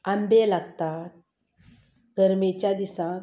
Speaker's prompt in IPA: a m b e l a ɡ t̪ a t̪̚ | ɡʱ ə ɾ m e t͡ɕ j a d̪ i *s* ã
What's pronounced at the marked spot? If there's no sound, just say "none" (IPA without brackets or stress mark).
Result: s